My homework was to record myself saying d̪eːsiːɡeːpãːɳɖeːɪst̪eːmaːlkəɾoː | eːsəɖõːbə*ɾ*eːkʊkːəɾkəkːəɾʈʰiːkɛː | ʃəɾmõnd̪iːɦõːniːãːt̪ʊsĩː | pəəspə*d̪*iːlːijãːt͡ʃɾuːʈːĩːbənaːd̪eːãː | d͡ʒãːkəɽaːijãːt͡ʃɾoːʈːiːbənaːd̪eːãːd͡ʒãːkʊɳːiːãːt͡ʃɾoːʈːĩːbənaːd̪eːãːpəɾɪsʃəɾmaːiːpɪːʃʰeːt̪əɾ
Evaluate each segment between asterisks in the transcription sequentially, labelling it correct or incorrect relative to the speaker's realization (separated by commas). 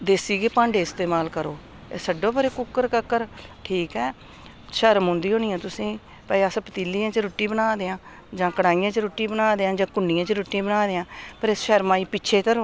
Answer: correct, incorrect